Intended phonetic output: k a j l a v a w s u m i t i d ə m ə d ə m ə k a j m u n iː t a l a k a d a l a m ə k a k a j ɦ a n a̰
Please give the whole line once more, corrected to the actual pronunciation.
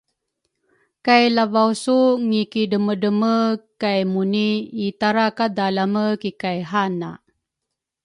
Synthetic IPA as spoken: k a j l a v a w s u ŋ i k i d ə m ə d ə m ə k a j m u n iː t a ɾ a k a d a l a m ə k i k a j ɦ a n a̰